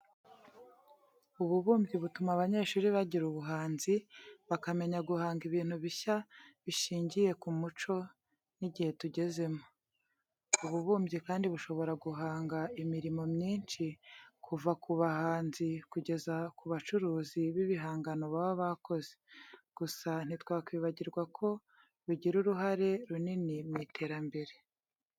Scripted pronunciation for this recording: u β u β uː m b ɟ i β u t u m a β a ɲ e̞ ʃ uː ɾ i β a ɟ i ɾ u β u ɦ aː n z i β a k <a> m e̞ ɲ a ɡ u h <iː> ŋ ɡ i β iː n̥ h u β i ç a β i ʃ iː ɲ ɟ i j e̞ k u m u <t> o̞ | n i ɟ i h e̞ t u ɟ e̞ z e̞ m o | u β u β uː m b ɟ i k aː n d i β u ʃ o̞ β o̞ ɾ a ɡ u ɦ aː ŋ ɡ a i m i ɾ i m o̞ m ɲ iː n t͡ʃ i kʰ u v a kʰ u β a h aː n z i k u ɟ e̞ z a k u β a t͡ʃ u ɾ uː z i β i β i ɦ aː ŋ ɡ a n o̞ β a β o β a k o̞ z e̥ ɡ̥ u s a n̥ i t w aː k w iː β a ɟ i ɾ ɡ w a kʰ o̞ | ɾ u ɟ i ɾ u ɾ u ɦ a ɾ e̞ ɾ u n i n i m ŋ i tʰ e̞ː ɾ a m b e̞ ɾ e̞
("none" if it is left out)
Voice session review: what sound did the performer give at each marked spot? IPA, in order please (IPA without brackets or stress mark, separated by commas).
a, aː, t͡ʃ